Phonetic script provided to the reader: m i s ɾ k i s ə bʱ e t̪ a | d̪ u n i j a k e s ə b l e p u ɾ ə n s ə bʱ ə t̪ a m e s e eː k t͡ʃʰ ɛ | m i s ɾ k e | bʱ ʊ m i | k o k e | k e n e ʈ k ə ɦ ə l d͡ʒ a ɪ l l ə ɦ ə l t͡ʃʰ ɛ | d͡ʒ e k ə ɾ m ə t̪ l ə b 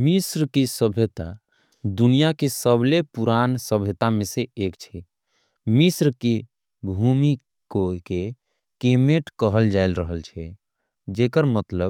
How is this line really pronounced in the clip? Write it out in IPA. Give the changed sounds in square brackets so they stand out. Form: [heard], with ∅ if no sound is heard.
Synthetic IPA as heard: m i s ɾ k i s ə bʱ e t̪ a | d̪ u n i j a k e s ə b l e p u ɾ [a] n s ə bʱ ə t̪ a m e s e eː k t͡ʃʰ ɛ | m i s ɾ k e | bʱ [u] m i | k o k e | k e [m] e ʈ k ə ɦ ə l d͡ʒ a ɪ l [ɾ] ə ɦ ə l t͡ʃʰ ɛ | d͡ʒ e k ə ɾ m ə t̪ l ə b